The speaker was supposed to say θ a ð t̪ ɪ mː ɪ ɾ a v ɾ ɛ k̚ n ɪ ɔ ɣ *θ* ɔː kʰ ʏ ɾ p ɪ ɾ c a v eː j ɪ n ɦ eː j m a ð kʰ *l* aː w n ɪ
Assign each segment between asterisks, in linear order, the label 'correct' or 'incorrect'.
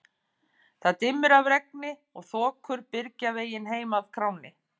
correct, incorrect: ɾ

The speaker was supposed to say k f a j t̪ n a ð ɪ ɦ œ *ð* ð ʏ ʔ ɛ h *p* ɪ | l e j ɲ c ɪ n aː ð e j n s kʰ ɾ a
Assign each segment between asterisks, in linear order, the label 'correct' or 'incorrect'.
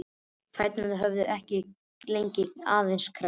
incorrect: v, incorrect: c

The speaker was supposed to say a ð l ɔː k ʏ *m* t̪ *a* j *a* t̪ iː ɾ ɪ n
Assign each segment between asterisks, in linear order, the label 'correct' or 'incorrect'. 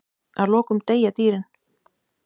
correct, incorrect: e, correct

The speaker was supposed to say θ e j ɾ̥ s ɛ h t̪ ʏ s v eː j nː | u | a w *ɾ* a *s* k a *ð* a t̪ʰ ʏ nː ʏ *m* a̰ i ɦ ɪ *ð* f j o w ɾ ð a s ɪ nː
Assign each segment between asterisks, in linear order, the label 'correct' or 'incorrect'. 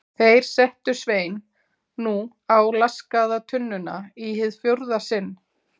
incorrect: l, correct, correct, incorrect: n, correct

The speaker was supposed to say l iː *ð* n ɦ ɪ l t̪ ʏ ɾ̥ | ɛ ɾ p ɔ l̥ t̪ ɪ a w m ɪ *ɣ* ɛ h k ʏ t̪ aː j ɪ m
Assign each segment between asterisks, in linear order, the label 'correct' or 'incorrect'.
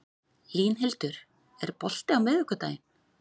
incorrect: none, incorrect: ð

